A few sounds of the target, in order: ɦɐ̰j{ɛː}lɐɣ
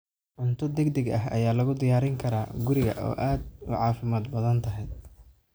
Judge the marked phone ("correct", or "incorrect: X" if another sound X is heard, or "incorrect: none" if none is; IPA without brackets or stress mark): incorrect: aː